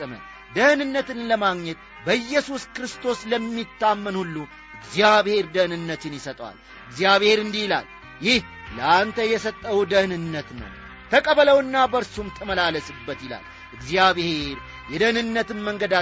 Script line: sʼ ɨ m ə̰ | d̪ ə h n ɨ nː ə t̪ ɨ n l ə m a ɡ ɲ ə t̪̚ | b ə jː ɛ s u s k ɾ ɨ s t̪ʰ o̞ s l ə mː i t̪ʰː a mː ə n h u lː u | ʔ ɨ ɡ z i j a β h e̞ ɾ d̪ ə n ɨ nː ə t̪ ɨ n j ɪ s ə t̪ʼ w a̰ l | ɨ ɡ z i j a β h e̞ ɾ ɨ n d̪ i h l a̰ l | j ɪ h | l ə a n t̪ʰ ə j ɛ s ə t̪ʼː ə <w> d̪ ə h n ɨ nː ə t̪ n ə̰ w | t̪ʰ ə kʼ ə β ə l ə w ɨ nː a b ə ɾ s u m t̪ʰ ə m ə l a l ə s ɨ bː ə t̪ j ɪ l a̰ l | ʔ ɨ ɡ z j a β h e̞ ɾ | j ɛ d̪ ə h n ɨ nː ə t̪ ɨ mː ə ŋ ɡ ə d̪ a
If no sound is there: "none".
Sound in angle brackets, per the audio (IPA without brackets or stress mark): w